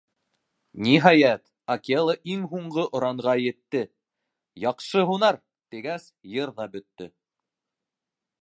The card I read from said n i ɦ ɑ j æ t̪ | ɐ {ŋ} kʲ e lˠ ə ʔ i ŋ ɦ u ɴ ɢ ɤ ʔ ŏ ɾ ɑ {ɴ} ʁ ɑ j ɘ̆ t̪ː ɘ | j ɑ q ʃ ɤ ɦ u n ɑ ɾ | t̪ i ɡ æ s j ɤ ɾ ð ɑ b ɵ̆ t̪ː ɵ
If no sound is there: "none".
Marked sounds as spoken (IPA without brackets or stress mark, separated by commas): none, ɴ